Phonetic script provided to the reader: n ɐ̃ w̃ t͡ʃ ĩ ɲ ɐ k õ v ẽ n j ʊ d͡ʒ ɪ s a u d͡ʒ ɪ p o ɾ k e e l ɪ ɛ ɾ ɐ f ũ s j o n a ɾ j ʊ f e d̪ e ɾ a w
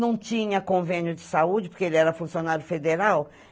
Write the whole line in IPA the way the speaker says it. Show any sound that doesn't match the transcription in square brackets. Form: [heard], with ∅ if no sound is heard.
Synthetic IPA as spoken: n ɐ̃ w̃ t͡ʃ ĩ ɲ ɐ k õ v ẽ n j ʊ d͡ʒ ɪ s a u d͡ʒ ɪ p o ɾ k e e l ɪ ɛ ɾ ɐ f ũ s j o n a ɾ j ʊ f e d̪ e ɾ a w